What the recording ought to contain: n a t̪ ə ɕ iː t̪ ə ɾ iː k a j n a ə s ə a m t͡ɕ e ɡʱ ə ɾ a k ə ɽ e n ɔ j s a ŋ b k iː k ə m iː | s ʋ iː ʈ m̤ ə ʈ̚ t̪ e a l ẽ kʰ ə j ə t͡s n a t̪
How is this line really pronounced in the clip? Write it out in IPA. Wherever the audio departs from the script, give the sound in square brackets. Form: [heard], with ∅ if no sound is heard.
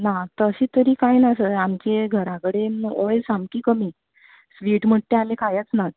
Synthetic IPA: n a t̪ ə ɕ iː t̪ ə ɾ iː k a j n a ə s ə a m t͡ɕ e ɡʱ ə ɾ a k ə ɽ e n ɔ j s a [m] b k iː k ə m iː | s ʋ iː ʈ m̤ ə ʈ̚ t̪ e a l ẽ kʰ [a] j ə t͡s n a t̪